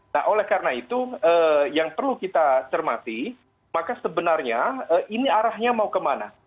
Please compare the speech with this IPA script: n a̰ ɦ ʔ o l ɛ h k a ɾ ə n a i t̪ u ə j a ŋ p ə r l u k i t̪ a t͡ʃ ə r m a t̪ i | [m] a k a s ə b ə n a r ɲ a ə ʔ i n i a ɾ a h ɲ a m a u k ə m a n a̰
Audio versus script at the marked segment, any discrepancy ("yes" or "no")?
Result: no